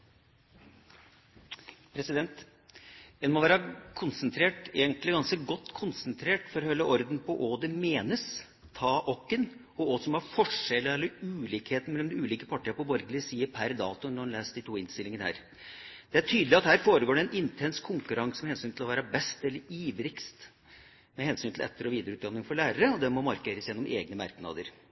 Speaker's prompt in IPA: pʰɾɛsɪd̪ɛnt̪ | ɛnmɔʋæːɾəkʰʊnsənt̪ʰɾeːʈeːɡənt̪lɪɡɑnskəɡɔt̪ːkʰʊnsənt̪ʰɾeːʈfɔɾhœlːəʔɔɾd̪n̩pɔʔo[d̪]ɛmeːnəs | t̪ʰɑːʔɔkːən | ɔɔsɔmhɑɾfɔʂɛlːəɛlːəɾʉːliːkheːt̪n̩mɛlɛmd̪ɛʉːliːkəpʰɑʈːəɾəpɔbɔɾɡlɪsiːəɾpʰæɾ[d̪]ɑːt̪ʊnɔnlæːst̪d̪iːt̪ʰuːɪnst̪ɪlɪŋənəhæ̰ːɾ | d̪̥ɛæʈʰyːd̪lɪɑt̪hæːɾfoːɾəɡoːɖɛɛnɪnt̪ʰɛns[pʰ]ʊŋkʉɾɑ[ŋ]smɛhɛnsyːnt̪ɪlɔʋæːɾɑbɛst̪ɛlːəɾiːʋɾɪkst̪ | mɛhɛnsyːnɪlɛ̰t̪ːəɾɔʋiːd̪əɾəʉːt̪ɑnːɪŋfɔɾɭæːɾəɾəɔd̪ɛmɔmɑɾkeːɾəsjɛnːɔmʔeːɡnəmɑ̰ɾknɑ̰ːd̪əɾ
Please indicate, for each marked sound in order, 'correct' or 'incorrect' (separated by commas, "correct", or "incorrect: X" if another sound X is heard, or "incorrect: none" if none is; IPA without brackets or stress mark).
correct, correct, incorrect: kʰ, correct